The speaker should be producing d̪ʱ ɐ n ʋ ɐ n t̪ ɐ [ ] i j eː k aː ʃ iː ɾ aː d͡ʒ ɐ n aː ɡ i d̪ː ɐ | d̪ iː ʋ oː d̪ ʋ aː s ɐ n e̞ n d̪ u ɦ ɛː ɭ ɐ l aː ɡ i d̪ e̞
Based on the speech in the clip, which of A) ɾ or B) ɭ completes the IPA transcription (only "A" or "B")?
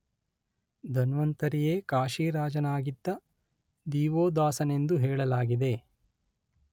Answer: A